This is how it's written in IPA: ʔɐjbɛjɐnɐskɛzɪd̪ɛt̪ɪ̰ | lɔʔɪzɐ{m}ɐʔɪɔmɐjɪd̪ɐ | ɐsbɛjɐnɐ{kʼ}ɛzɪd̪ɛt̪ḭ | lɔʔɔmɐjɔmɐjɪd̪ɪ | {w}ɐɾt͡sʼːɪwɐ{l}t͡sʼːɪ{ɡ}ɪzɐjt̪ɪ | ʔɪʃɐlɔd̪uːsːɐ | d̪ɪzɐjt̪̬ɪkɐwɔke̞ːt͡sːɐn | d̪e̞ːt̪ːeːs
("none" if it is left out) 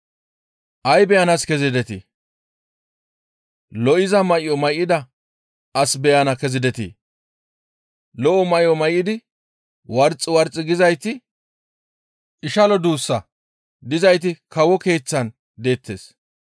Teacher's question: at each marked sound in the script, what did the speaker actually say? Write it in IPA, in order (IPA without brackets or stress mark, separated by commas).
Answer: m, k, w, ɾ, ɡ